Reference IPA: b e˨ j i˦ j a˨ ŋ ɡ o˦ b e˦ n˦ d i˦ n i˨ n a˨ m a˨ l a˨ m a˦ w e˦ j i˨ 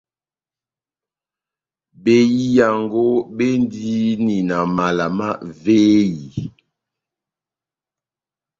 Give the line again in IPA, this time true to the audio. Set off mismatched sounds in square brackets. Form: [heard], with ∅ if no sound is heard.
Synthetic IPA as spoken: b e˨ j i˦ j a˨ ŋ ɡ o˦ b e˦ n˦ d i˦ n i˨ n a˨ m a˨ l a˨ m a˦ [v] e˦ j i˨